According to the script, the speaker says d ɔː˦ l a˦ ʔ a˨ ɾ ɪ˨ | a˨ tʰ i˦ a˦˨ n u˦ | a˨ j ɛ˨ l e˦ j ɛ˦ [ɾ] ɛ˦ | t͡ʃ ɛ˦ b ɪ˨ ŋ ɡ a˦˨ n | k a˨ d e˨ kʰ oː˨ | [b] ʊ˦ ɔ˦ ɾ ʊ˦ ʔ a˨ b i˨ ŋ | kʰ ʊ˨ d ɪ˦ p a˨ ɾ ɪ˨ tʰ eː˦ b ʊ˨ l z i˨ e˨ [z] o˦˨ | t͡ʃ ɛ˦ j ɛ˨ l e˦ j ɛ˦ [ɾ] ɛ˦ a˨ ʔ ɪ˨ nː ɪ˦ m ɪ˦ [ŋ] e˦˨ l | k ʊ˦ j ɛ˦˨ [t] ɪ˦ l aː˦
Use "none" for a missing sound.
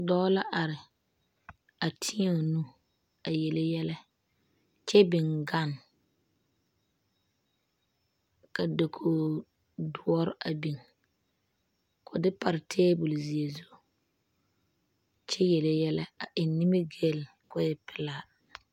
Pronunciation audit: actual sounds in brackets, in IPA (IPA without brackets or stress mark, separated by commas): l, d, z, l, ɡ, p